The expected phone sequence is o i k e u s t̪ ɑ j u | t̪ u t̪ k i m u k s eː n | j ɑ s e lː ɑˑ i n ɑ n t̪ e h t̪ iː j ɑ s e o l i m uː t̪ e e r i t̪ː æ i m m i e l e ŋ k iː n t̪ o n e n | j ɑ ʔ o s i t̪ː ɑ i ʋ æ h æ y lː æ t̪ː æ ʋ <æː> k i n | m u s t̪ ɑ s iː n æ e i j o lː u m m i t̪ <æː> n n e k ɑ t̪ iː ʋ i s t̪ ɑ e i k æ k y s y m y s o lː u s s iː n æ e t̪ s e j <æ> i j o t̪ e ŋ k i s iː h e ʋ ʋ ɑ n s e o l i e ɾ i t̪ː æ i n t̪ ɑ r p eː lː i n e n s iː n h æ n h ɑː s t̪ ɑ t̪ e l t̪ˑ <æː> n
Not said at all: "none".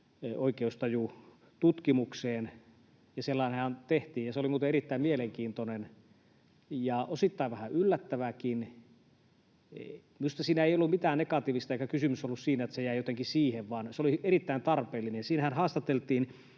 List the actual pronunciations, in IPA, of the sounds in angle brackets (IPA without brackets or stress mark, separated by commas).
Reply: æ, æː, æ, iː